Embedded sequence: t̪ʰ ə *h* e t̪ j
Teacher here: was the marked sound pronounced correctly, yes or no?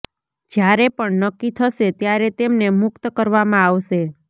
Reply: no